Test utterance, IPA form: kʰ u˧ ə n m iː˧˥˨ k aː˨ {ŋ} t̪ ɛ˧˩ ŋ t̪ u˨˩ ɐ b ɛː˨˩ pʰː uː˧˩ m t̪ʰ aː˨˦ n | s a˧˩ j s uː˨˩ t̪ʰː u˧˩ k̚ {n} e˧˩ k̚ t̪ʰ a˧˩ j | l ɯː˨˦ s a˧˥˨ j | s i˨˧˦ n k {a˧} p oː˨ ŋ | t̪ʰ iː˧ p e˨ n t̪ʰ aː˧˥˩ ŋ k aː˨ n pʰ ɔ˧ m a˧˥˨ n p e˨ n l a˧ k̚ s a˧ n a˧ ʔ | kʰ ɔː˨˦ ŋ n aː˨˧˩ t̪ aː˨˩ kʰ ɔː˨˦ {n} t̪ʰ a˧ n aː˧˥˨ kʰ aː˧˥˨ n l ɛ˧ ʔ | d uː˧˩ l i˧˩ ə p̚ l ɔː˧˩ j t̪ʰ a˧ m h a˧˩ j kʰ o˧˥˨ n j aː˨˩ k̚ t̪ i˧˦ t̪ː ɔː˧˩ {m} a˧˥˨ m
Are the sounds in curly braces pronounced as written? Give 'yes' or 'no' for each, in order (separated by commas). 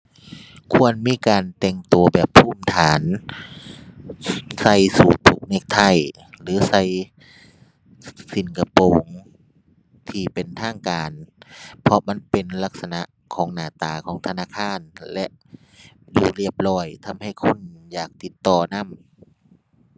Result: no, yes, yes, no, no